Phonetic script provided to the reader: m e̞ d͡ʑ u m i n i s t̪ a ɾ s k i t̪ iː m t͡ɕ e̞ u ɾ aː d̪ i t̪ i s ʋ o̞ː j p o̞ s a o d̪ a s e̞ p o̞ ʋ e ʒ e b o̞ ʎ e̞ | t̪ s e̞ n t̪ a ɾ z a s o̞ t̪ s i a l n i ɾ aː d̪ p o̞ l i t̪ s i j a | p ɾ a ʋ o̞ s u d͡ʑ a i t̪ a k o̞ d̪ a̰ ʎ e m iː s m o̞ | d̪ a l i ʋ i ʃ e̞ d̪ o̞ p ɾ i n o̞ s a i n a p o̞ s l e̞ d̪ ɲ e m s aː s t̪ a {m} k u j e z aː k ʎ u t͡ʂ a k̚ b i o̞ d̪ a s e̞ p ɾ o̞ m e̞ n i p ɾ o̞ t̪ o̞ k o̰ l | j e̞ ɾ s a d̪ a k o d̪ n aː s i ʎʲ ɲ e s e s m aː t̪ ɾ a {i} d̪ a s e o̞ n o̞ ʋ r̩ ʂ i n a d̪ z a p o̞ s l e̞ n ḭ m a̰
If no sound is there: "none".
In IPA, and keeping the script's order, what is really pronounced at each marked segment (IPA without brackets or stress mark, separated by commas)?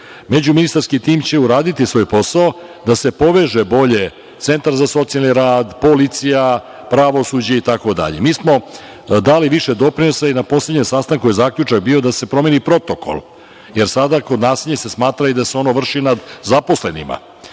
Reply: ŋ, i